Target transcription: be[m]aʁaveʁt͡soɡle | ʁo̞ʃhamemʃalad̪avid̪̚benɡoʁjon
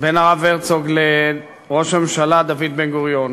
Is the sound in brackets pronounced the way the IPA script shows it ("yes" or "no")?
no